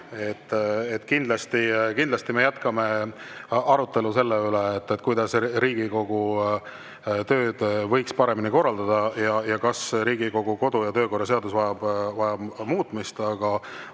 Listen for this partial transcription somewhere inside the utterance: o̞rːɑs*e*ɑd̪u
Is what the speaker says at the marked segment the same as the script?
yes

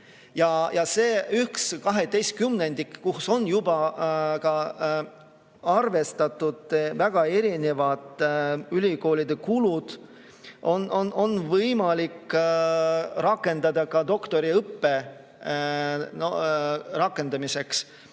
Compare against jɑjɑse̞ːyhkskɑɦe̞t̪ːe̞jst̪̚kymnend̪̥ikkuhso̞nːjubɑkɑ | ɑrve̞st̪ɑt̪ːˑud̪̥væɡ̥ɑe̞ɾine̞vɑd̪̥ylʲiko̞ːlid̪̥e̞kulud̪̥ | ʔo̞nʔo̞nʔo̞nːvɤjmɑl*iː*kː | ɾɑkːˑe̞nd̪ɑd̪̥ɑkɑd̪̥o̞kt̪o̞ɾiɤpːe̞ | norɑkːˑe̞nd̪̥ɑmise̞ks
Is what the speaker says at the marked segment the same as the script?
no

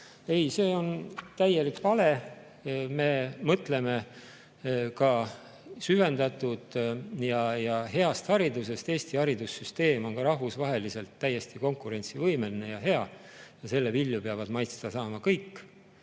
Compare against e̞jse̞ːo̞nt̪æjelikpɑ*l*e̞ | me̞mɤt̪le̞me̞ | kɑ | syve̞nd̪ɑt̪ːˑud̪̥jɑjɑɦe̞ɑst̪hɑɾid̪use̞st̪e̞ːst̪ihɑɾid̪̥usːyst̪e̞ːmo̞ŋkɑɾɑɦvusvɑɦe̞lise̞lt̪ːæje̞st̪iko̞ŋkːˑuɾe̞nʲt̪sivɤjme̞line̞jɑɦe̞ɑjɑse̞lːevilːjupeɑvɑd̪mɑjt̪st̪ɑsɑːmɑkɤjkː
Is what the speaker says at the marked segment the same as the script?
yes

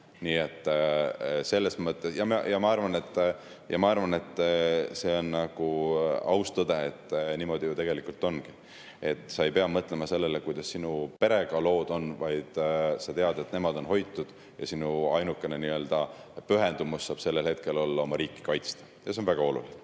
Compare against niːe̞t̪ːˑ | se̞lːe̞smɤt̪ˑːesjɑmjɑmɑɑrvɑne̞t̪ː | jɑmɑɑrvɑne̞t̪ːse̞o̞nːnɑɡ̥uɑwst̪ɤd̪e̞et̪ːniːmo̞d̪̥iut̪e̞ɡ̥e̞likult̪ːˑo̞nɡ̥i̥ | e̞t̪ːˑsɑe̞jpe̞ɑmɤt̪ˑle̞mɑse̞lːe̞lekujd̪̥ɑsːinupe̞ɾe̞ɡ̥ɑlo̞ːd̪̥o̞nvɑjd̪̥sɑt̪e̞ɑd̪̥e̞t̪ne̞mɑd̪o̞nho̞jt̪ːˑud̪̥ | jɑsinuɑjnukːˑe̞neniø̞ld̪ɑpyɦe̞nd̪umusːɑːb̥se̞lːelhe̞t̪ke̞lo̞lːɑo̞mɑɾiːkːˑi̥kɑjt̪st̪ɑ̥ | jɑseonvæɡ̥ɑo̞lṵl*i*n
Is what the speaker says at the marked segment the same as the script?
yes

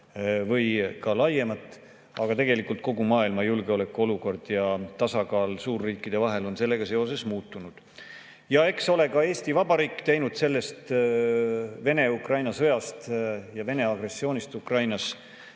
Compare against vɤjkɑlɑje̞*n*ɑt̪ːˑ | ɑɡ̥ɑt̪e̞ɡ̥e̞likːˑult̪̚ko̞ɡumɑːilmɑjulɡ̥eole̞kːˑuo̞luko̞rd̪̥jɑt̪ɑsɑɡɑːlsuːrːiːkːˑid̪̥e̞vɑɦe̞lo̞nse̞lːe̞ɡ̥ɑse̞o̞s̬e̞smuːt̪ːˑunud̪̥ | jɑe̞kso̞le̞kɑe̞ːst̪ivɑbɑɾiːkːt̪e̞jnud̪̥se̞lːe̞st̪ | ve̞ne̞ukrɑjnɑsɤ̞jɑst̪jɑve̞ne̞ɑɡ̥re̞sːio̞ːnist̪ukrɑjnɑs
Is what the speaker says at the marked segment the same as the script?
no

